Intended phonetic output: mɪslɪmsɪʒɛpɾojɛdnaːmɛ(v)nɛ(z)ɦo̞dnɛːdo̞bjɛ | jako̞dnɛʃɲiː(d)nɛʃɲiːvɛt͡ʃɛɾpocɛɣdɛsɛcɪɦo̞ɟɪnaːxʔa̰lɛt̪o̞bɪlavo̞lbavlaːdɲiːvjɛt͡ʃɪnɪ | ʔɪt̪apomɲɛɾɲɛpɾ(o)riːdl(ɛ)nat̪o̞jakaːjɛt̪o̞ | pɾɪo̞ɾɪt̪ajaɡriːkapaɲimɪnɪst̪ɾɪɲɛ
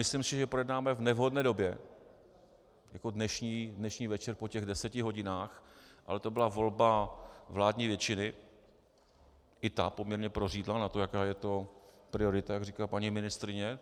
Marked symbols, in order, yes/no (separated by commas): yes, no, yes, yes, no